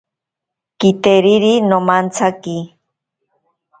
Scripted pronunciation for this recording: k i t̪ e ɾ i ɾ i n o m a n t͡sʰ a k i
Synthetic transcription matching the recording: k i t̪ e ɾ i ɾ i n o m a n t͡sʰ a k i

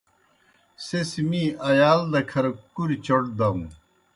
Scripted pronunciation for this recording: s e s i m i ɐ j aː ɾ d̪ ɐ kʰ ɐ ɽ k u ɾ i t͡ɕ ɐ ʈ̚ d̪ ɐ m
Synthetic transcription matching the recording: s e s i m i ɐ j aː l d̪ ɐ kʰ ɐ ɾ k u ɾ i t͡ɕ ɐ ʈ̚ d̪ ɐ m

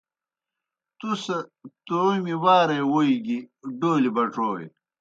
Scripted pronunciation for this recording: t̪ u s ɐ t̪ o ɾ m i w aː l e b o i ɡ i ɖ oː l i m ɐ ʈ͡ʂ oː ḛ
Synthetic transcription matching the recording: t̪ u s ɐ t̪ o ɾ m i w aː ɾ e w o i ɡ i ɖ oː l i b ɐ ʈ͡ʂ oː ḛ

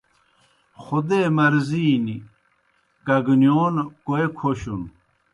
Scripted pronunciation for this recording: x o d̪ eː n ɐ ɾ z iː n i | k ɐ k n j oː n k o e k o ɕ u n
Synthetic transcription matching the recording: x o d̪ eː m ɐ ɾ z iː n i | k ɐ ɡ n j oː n k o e kʰ o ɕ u n

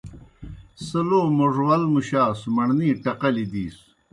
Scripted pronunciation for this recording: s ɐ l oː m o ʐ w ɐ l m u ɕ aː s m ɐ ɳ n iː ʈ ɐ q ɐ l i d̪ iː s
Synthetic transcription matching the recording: s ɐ l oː m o ʐ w ɐ l m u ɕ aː s m ɐ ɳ n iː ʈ ɐ q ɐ l i d̪ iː s

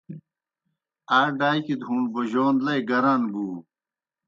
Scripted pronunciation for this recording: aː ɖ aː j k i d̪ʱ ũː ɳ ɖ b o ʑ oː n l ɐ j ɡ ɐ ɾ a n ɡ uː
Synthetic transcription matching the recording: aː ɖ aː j k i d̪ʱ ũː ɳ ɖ b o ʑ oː n l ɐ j ɡ ɐ ɾ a n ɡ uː

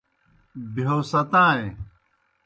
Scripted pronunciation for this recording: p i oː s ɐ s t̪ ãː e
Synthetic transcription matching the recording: b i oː s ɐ t̪ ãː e

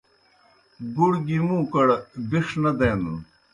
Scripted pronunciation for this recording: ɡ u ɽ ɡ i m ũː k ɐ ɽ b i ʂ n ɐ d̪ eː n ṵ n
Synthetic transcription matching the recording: ɡ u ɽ ɡ i m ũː k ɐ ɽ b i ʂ n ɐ d̪ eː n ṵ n

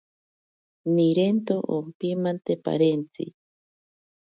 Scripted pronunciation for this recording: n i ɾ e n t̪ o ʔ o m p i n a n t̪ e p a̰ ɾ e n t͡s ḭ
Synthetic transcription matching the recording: n i ɾ e n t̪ o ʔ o m p i m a n t̪ e p a̰ ɾ e n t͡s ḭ

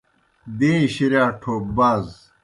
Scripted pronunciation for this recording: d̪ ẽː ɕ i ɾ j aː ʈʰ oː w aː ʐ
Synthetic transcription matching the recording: d̪ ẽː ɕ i ɾ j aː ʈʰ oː b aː z

